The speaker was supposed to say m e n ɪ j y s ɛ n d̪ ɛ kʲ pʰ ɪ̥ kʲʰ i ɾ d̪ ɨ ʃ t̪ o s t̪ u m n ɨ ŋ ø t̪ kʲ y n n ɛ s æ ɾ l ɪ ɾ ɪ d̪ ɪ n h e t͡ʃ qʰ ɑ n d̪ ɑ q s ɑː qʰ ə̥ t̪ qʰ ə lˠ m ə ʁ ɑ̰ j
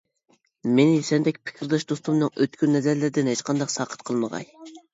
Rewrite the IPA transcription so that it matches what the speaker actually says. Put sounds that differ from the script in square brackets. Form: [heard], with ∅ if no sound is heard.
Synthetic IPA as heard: m e n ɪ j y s ɛ n d̪ ɛ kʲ pʰ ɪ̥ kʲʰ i ɾ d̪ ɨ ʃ [d̪] o s t̪ u m n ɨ ŋ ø t̪ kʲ y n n ɛ [z] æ ɾ l ɪ ɾ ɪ d̪ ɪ n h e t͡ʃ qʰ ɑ n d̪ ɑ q s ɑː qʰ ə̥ t̪ qʰ ə lˠ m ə ʁ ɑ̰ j